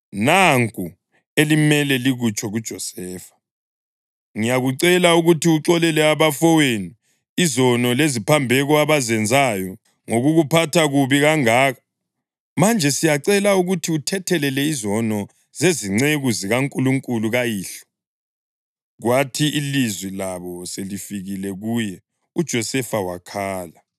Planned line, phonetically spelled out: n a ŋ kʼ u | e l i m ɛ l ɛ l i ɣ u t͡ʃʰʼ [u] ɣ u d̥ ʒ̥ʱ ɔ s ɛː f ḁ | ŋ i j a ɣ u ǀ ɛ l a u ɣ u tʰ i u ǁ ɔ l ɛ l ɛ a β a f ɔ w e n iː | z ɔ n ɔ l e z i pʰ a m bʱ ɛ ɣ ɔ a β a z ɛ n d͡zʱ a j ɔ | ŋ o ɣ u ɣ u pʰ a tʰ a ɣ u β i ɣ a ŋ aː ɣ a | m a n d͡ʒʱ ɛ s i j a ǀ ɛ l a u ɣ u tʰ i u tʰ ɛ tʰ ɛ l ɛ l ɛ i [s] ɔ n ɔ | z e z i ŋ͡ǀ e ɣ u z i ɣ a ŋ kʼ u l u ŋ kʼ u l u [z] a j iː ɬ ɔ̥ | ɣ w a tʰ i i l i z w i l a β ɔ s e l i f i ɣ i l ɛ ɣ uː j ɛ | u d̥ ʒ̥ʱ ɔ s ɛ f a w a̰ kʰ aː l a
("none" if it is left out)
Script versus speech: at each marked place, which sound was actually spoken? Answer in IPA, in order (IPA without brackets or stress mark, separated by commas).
ɔ, z, ɣ